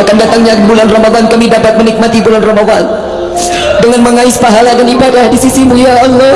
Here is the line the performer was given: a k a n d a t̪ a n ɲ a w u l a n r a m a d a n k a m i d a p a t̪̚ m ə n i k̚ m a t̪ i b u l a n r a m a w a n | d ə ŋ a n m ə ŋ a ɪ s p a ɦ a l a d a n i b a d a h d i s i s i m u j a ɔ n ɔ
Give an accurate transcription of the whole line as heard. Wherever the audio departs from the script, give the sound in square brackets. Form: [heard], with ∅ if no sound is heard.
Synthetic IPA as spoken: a k a n d a t̪ a [ŋ] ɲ a [b] u l a n r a m a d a n k a m i d a p a t̪̚ m ə n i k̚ m a t̪ i b u l a n r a m a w a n | d ə ŋ a n m ə ŋ a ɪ s p a ɦ a l a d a n i b a d a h d i s i s i m u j a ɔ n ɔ